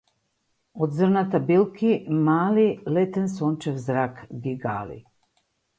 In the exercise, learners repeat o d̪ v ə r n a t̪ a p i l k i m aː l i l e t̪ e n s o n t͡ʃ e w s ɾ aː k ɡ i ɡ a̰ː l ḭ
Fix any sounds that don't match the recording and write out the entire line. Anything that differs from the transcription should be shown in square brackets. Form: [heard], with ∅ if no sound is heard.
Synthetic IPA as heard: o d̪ [z] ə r n a t̪ a [b] i l k i m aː l i l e t̪ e n s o n t͡ʃ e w [z] ɾ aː k ɡ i ɡ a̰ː l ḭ

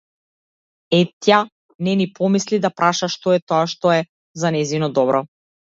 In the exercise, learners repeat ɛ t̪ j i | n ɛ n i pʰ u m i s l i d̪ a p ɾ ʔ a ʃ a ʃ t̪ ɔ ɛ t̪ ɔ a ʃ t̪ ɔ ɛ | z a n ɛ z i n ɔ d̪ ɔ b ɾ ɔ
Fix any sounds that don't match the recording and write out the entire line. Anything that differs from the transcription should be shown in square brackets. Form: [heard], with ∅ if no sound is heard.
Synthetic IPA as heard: ɛ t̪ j [a] | n ɛ n i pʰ [ɔ] m i s l i d̪ a p ɾ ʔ a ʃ a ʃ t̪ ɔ ɛ t̪ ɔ a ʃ t̪ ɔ ɛ | z a n ɛ z i n ɔ d̪ ɔ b ɾ ɔ

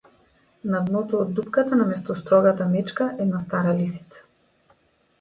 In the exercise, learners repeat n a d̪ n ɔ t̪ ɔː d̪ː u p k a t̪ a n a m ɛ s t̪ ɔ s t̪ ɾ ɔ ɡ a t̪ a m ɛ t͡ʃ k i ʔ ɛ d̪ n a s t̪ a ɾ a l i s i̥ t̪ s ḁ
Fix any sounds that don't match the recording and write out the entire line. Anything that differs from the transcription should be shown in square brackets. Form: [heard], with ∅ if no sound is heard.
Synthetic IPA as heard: n a d̪ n ɔ t̪ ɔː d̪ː u p k a t̪ a n a m ɛ s t̪ ɔ s t̪ ɾ ɔ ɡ a t̪ a m ɛ t͡ʃ k [a] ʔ ɛ d̪ n a s t̪ a ɾ a l i s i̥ t̪ s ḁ

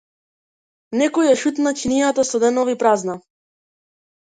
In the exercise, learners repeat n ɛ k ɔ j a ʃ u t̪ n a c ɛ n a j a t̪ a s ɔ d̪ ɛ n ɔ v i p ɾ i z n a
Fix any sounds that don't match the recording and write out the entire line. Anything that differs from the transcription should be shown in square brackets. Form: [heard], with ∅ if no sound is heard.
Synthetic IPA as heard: n ɛ k ɔ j a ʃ u t̪ n a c [i] n [i] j a t̪ a s ɔ d̪ ɛ n ɔ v i p ɾ [a] z n a

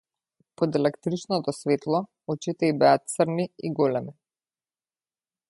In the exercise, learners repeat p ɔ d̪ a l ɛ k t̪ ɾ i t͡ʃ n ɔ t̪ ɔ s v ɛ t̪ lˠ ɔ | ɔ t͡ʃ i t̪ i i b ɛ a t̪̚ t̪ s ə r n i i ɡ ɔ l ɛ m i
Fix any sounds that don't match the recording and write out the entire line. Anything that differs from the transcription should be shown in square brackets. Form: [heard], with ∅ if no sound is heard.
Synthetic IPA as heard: p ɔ d̪ [ɛ] l ɛ k t̪ ɾ i t͡ʃ n ɔ t̪ ɔ s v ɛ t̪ lˠ ɔ | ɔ t͡ʃ i t̪ [ɛ] i b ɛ a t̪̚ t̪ s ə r n i i ɡ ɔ l ɛ m i

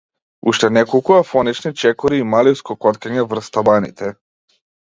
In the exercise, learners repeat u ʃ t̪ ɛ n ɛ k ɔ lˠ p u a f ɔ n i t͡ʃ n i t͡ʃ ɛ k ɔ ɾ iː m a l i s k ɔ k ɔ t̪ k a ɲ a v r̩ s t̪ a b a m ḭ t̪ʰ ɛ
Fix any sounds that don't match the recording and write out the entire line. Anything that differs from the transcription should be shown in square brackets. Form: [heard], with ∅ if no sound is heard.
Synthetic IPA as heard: u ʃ t̪ ɛ n ɛ k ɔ lˠ [k] u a f ɔ n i t͡ʃ n i t͡ʃ ɛ k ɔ ɾ iː m a l i s k ɔ k ɔ t̪ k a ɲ [ɛ] v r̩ s t̪ a b a [n] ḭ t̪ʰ ɛ

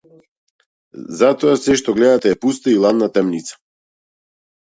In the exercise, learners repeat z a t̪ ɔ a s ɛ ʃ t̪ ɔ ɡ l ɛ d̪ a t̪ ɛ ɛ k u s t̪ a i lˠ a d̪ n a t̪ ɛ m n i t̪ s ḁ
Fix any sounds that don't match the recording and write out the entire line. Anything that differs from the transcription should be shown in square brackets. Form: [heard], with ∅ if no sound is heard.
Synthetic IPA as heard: z a t̪ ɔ a s ɛ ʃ t̪ ɔ ɡ l ɛ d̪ a t̪ ɛ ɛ [p] u s t̪ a i lˠ a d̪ n a t̪ ɛ m n i t̪ s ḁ

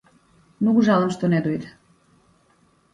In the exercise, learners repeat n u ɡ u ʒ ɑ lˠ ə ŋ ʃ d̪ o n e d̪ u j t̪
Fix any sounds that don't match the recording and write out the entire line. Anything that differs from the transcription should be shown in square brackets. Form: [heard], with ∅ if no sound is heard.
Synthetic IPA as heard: n u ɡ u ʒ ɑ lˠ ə [m] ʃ [t̪] o n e d̪ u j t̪

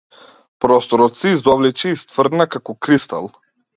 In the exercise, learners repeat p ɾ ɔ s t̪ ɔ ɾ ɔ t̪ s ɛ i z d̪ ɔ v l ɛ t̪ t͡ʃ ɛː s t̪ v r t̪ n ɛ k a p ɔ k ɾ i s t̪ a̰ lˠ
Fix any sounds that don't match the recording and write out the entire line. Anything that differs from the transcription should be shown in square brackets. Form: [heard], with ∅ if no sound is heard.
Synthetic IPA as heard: p ɾ ɔ s t̪ ɔ ɾ ɔ t̪ s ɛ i z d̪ ɔ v l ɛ [∅] t͡ʃ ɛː s t̪ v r [d̪] n [a] k a [k] ɔ k ɾ i s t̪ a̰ lˠ

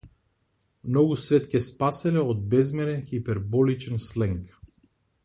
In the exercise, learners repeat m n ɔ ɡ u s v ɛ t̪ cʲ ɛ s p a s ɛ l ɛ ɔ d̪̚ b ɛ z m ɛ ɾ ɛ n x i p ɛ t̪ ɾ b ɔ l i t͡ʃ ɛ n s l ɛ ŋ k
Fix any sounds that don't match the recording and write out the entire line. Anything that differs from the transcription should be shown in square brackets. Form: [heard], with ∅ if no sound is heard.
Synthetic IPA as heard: m n ɔ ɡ u s v ɛ t̪ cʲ ɛ s p a s ɛ l ɛ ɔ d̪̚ b ɛ z m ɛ ɾ ɛ n x i p ɛ [∅] ɾ b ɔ l i t͡ʃ ɛ n s l ɛ ŋ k

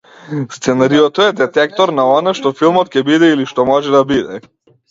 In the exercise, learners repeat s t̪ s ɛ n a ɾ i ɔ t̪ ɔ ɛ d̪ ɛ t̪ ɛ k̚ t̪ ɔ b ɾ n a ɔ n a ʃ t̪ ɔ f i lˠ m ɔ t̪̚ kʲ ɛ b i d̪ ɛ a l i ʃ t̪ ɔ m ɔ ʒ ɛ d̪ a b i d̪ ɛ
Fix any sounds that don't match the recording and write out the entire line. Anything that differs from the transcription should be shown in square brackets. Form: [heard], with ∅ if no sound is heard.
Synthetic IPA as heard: s t̪ s ɛ n a ɾ i ɔ t̪ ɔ ɛ d̪ ɛ t̪ ɛ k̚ t̪ ɔ [∅] ɾ n a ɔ n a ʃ t̪ ɔ f i lˠ m ɔ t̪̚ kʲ ɛ b i d̪ ɛ [i] l i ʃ t̪ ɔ m ɔ ʒ ɛ d̪ a b i d̪ ɛ

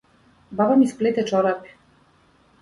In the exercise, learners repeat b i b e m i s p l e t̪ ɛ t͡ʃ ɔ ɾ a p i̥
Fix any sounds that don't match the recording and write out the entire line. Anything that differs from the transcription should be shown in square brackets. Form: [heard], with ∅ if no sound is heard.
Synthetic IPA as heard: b [a] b [a] m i s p l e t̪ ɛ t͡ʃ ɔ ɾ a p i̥

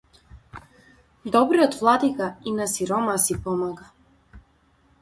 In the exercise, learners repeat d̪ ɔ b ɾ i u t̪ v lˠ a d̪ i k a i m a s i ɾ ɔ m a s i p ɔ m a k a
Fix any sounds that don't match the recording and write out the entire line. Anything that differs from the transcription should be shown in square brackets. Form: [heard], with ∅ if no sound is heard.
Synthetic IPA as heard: d̪ ɔ b ɾ i [ɔ] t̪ v lˠ a d̪ i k a i [n] a s i ɾ ɔ m a s i p ɔ m a [ɡ] a

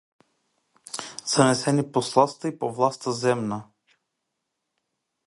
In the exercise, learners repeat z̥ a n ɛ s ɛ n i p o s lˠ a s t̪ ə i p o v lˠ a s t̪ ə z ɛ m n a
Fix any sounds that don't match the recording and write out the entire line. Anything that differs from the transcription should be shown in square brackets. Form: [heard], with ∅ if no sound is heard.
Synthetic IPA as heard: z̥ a n ɛ s ɛ n i p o s lˠ a s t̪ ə i p o v lˠ a s t̪ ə z ɛ m n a

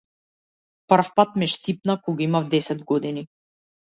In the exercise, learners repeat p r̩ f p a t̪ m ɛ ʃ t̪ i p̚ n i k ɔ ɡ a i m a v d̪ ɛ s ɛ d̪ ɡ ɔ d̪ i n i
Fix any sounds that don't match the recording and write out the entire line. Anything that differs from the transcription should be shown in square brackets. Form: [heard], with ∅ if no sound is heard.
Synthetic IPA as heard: p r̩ f p a t̪ m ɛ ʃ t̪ i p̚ n [a] k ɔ ɡ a i m a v d̪ ɛ s ɛ d̪ ɡ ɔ d̪ i n i

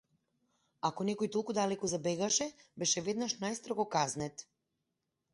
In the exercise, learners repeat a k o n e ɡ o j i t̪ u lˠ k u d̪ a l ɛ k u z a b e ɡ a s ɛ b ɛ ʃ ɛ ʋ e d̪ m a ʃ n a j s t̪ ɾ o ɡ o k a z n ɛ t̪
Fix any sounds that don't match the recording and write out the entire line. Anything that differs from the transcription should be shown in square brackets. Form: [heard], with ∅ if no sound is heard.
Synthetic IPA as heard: a k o n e [k] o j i t̪ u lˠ k u d̪ a l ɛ k u z a b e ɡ a [ʃ] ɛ b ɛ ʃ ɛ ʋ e d̪ [n] a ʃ n a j s t̪ ɾ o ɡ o k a z n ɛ t̪

